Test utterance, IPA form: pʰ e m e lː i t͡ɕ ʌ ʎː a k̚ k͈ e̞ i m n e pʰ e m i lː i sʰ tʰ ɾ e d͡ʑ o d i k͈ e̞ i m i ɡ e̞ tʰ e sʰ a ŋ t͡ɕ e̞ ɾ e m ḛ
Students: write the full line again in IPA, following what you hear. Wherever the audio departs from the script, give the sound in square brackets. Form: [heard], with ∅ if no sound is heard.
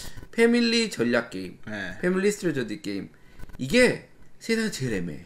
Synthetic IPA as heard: pʰ e m [i] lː i t͡ɕ ʌ ʎː a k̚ k͈ e̞ i m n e pʰ e m i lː i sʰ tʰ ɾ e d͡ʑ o d i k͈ e̞ i m i ɡ e̞ [sʰ] e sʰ a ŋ t͡ɕ e̞ ɾ e m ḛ